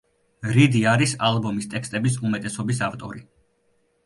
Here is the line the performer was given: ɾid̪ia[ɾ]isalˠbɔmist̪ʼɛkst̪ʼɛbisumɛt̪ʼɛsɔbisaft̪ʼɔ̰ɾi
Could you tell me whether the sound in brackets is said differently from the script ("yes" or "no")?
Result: no